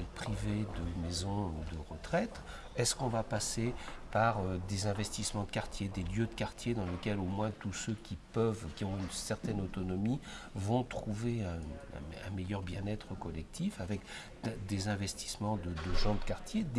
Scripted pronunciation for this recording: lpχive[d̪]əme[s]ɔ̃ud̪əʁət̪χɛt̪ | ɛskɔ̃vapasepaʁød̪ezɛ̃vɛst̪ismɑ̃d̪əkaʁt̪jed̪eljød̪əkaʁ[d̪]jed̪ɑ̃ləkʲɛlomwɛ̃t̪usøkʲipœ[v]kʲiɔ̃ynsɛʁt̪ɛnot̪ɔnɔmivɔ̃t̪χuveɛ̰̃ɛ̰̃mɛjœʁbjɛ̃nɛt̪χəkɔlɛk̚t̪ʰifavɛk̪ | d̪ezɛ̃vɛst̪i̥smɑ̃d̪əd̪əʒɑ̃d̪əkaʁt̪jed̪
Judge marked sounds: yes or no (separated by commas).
yes, no, no, yes